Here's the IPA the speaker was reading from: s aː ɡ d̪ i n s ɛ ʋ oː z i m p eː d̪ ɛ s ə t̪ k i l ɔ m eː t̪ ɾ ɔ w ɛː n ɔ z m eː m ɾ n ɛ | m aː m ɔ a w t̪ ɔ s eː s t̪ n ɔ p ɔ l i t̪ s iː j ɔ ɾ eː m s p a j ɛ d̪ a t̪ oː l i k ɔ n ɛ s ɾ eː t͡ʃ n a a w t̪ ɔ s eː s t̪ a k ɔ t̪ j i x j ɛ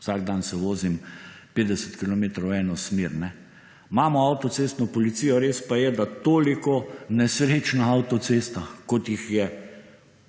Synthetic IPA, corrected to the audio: s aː ɡ d̪ a n s ɛ ʋ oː z i m p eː d̪ ɛ s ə t̪ k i l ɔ m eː t̪ ɾ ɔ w ɛː n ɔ s m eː ɾ n ɛ | m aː m ɔ a w t̪ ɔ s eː s t̪ n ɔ p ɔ l i t̪ s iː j ɔ ɾ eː s p a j ɛ d̪ a t̪ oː l i k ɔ n ɛ s ɾ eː t͡ʃ n a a w t̪ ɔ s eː s t̪ a k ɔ t̪ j i x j ɛ

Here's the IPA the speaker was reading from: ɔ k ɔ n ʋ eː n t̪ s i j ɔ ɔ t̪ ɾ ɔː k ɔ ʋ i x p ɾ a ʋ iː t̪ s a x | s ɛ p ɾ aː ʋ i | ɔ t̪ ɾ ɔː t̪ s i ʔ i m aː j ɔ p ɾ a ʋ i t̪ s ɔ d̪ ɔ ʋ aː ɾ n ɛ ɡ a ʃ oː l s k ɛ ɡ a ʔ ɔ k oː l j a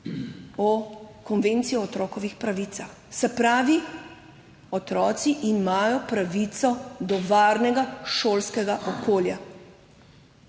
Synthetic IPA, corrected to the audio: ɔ k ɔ n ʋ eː n t̪ s i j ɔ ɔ t̪ ɾ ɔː k ɔ ʋ i x p ɾ a ʋ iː t̪ s a x | s ɛ p ɾ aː ʋ i | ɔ t̪ ɾ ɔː t̪ s i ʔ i m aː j ɔ p ɾ a ʋ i t̪ s ɔ d̪ ɔ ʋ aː ɾ n ɛ ɡ a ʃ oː l s k ɛ ɡ a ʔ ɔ k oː l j a

